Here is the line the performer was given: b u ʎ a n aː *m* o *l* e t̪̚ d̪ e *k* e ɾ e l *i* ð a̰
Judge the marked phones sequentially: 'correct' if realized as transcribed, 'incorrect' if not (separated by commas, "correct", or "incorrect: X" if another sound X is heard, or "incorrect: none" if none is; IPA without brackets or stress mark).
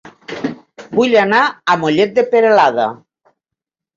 correct, incorrect: ʎ, incorrect: p, incorrect: a